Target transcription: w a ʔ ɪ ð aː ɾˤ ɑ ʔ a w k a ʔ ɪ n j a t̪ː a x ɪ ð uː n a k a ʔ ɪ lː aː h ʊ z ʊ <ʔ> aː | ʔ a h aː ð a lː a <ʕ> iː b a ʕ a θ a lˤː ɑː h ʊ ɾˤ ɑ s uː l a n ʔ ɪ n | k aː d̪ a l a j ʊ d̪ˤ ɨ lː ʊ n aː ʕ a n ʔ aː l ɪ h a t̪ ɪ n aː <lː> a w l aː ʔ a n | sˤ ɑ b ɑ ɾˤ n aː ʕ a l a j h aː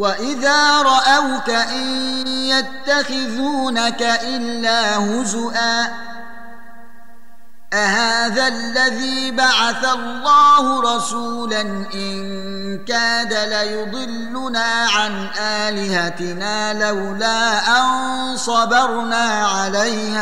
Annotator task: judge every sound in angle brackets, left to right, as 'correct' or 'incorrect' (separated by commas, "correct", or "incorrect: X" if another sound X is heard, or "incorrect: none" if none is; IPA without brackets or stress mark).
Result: correct, incorrect: ð, incorrect: l